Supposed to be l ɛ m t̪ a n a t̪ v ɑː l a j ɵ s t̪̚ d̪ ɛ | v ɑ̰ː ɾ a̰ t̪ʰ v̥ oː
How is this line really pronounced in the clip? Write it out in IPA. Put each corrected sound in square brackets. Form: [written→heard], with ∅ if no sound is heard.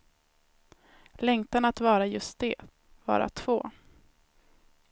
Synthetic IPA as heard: l ɛ [m→ŋ] t̪ a n a t̪ v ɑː [l→ɾ] a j ɵ s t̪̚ d̪ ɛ | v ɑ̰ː ɾ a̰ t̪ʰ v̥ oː